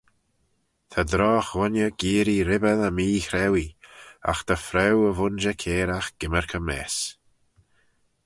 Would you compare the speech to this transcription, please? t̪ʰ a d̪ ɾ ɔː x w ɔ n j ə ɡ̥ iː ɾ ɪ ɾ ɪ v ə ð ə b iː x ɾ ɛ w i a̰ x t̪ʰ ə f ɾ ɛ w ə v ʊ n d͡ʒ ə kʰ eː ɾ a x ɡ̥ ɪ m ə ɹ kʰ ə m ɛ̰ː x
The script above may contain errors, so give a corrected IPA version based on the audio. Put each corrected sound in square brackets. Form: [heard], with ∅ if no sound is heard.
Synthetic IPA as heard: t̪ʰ a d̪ ɾ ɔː x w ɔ n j ə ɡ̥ iː ɾ [i] ɾ ɪ [b] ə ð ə [m] iː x ɾ ɛ w i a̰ x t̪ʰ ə f ɾ ɛ w ə v ʊ n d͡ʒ ə kʰ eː ɾ a x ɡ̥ ɪ m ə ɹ kʰ ə m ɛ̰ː [s]